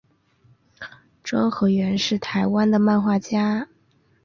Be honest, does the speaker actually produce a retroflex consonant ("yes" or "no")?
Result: yes